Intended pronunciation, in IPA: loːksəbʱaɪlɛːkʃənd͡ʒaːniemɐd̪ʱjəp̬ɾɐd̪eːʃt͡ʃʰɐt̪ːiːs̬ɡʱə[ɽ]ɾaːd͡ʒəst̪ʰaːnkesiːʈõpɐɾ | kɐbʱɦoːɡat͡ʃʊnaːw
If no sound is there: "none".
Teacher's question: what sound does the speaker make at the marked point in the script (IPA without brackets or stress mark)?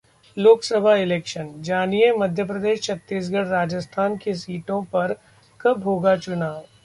ɽ